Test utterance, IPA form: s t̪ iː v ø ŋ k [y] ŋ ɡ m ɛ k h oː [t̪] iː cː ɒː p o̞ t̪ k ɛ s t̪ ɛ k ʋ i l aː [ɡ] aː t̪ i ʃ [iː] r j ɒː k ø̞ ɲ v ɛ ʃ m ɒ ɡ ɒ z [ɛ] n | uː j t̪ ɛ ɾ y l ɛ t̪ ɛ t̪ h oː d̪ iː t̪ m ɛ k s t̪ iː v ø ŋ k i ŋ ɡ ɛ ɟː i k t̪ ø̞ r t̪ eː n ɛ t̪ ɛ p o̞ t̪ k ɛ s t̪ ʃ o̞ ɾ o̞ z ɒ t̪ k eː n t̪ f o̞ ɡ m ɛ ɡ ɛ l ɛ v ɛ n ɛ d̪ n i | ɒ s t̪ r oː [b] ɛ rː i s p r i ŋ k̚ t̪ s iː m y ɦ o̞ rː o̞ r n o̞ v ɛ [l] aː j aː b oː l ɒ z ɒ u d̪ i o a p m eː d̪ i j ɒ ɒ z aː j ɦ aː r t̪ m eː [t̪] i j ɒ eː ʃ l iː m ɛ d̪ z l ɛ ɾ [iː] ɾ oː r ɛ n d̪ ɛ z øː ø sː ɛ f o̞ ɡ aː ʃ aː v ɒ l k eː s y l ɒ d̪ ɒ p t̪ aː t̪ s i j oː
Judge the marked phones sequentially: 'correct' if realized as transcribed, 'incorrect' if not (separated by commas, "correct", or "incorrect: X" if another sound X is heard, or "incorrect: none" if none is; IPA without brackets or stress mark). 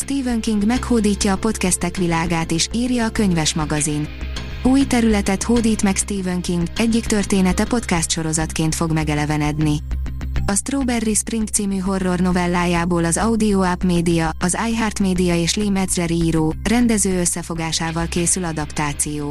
incorrect: i, incorrect: d̪, correct, correct, incorrect: i, correct, incorrect: lː, incorrect: d̪, correct